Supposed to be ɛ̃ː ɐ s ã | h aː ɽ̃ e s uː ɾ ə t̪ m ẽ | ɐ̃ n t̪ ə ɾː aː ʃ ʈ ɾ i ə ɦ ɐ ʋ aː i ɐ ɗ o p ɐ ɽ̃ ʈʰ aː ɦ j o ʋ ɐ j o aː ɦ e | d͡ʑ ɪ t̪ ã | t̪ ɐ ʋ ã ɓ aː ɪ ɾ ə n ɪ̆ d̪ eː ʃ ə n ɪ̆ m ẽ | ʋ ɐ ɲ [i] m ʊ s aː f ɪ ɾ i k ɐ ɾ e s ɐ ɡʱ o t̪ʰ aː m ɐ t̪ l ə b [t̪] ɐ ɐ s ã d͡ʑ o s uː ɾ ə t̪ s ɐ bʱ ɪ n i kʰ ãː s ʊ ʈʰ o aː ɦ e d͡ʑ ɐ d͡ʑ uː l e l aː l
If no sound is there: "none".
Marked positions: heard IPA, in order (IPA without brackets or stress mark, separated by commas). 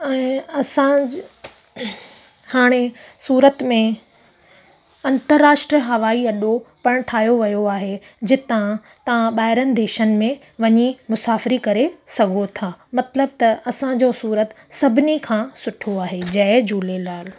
i, t̪